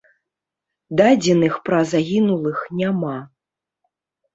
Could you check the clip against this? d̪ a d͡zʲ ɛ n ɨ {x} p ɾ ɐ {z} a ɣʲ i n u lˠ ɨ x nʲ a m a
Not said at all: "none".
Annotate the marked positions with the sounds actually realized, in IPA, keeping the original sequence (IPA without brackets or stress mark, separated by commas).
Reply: x, z